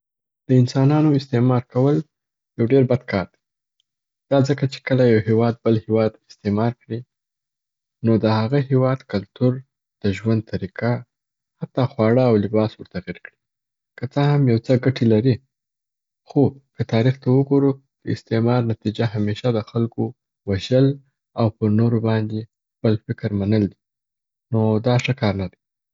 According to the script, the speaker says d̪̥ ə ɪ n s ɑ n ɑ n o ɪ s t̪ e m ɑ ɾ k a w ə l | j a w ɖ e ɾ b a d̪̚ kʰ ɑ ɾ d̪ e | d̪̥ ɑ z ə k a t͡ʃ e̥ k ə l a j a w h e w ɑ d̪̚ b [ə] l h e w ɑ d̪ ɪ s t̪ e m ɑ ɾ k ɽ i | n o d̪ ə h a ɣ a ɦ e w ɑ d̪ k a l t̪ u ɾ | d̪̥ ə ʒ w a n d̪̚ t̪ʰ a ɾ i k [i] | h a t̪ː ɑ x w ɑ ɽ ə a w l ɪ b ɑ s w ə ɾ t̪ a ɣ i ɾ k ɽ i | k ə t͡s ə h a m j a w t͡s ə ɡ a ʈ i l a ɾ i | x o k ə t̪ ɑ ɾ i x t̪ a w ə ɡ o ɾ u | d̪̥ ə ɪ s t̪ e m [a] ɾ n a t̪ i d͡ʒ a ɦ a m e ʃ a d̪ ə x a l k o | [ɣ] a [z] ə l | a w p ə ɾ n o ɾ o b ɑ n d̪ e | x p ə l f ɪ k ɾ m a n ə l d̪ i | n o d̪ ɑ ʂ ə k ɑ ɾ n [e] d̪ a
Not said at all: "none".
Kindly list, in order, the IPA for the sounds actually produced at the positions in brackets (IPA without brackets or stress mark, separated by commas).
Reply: ə, a, ɑ, w, ʒ, a